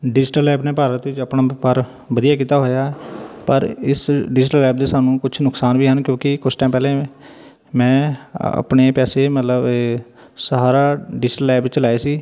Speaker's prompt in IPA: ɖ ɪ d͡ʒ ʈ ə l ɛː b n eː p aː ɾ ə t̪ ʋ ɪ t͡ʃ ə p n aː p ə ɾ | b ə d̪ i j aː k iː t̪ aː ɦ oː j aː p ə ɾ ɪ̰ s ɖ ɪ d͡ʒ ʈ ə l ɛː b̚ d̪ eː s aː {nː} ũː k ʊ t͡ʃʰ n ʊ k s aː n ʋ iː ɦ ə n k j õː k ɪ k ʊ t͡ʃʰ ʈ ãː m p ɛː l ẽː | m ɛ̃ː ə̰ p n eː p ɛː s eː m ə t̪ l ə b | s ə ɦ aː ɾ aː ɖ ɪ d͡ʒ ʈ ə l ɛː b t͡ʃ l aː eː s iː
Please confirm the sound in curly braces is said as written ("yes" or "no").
no